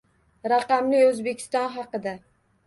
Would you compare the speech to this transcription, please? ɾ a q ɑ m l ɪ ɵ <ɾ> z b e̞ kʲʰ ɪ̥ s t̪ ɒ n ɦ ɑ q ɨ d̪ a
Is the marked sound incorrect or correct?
incorrect